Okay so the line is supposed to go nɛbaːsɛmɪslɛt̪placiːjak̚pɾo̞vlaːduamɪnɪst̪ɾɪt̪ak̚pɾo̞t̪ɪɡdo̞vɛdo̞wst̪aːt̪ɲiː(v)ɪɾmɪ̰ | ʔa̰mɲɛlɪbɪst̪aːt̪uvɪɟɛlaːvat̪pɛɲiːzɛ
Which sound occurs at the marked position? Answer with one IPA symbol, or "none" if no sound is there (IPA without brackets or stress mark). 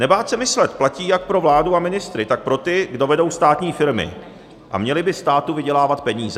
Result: f